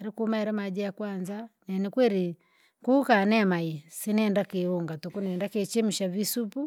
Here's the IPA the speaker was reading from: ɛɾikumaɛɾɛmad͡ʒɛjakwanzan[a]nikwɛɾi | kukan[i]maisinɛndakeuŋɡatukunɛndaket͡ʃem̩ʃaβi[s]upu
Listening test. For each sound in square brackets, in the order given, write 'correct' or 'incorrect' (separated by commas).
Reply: incorrect, incorrect, correct